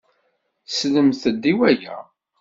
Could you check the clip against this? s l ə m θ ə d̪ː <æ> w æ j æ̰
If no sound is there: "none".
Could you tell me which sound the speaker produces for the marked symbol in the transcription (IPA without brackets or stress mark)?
i